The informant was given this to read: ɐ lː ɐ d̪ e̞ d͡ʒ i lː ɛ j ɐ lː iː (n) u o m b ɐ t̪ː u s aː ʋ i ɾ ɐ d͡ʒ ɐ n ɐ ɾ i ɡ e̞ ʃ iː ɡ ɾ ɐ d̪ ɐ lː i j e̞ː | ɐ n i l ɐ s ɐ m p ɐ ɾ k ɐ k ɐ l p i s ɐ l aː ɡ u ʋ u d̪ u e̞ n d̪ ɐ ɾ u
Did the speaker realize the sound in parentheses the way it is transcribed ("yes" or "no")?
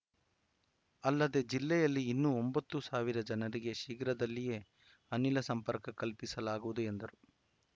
no